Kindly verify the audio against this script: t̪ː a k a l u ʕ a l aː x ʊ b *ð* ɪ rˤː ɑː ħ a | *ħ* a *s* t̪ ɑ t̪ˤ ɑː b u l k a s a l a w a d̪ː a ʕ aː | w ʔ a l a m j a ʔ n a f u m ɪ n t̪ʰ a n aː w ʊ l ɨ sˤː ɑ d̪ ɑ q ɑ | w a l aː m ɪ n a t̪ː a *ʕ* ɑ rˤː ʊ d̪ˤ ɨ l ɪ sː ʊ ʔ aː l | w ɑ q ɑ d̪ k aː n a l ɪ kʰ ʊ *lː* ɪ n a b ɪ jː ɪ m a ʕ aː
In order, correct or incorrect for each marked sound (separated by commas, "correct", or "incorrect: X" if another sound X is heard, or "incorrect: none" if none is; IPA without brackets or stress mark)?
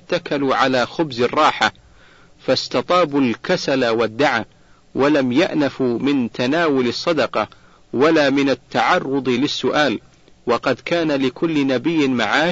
incorrect: z, incorrect: f, correct, correct, correct